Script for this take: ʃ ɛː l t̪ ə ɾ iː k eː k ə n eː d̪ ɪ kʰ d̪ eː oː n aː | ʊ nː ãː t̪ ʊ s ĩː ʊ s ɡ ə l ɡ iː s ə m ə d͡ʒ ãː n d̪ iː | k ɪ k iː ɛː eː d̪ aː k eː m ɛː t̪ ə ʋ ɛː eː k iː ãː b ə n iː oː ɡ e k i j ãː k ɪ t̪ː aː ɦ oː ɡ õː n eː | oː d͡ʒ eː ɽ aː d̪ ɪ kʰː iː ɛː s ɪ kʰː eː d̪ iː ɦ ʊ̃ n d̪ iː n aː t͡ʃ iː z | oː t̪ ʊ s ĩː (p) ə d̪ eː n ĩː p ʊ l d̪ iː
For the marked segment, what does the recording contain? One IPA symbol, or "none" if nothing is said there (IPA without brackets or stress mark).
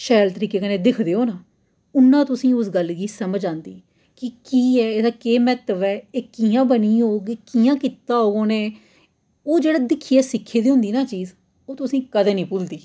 k